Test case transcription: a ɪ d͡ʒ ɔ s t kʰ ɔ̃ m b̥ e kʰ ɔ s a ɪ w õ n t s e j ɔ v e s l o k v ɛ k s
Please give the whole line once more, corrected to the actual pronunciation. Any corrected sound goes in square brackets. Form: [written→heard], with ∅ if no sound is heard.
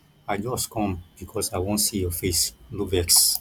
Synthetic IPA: a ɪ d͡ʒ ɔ s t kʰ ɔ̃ m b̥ [e→i] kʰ ɔ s a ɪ w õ n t s [e→i] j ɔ [v→f] e s l [o→u] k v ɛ k s